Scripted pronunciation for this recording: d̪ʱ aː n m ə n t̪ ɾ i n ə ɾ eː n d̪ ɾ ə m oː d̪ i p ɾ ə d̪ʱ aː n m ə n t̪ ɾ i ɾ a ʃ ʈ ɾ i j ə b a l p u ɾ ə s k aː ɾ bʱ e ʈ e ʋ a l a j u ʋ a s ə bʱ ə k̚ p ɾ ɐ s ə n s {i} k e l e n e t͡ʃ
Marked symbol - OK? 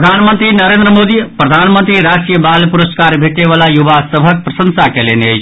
no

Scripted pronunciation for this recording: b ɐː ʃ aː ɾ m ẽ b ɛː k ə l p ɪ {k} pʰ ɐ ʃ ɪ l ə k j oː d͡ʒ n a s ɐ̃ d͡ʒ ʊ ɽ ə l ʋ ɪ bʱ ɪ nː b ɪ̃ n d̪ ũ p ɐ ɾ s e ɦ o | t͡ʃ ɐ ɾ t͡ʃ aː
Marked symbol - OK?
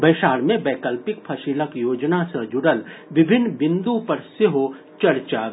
yes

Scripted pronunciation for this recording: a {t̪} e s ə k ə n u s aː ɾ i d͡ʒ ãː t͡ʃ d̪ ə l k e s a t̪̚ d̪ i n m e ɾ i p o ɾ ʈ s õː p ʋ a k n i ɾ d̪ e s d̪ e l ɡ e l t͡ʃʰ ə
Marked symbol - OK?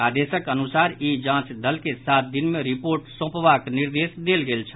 no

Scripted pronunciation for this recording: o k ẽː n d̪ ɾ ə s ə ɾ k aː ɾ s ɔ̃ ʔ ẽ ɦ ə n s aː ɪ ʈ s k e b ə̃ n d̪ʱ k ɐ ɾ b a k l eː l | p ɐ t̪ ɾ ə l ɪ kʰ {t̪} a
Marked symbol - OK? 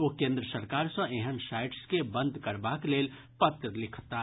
yes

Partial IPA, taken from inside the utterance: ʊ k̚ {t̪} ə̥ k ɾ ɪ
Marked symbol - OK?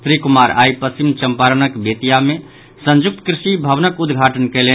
yes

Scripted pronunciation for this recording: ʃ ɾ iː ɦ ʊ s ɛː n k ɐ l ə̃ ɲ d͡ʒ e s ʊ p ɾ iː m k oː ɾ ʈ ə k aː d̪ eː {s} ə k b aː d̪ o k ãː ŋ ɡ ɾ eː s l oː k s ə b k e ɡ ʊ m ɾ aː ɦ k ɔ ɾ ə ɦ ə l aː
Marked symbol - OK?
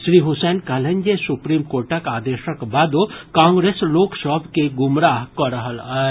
no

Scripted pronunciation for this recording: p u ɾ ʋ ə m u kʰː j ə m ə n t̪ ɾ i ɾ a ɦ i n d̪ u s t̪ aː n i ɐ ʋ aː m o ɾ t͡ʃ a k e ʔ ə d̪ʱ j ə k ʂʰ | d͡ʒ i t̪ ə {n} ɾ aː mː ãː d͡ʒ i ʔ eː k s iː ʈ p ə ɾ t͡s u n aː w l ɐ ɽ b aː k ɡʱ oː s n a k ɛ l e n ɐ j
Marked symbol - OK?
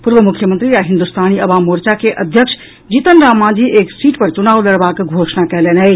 yes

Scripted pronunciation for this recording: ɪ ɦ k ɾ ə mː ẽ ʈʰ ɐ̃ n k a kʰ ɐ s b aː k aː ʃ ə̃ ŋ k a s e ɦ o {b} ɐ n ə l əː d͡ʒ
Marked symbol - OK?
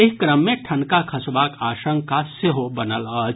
yes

